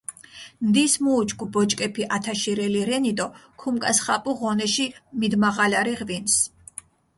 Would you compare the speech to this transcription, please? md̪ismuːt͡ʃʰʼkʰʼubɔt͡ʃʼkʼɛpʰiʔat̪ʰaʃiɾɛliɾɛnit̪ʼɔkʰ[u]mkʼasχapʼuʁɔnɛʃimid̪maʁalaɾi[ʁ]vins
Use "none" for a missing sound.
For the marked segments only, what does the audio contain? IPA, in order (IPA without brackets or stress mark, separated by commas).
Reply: u, ʁ